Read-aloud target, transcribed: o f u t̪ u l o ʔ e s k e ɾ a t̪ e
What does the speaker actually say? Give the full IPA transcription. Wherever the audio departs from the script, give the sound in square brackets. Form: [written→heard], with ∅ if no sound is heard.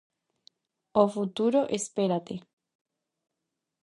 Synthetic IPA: o f u t̪ u [l→ɾ] o ʔ e s [k→p] e ɾ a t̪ e